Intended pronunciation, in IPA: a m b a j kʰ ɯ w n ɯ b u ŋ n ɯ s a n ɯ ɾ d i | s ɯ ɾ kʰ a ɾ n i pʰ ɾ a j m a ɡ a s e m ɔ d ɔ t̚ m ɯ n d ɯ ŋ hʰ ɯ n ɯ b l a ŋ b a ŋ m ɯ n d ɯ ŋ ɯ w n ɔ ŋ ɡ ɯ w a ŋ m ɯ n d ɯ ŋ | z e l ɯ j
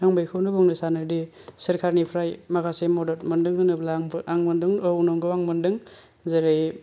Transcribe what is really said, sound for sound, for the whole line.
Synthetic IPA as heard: a ŋ b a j kʰ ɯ w n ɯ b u ŋ n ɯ s a n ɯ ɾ d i | s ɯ ɾ kʰ a ɾ n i pʰ ɾ a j m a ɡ a s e m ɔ d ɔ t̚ m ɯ n d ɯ ŋ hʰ ɯ n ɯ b l a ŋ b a ŋ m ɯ n d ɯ ŋ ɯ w n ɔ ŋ ɡ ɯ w a ŋ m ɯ n d ɯ ŋ | z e ɾ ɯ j